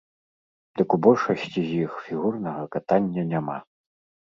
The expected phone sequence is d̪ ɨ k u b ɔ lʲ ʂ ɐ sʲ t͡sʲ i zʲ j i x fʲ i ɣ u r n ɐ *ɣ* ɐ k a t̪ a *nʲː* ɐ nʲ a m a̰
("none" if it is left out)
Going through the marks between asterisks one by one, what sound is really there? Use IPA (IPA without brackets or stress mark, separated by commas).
ɣ, nʲː